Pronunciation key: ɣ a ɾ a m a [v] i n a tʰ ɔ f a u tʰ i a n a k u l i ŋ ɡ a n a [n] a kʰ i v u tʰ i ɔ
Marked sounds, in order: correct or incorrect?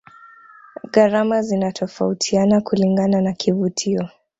incorrect: z, correct

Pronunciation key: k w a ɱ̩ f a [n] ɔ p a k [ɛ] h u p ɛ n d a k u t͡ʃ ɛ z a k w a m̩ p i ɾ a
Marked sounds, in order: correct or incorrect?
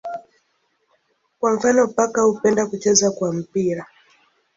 correct, incorrect: a

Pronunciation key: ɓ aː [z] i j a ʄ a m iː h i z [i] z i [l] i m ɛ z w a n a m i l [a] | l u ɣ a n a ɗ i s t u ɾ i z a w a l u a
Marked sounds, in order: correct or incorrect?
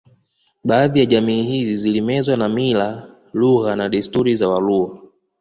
incorrect: ð, correct, correct, correct

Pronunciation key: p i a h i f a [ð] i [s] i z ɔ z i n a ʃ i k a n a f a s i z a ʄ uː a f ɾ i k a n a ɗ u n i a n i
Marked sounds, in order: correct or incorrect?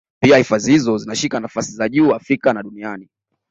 incorrect: z, incorrect: h

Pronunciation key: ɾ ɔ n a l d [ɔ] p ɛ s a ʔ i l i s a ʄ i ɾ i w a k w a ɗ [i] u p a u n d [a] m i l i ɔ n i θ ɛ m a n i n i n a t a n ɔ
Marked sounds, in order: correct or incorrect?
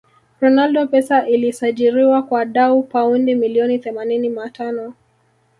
correct, incorrect: a, incorrect: i

